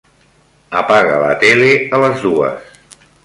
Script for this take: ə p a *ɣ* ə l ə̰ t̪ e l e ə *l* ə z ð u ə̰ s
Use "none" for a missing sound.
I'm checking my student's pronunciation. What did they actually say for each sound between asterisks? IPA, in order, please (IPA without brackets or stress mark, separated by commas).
ɣ, l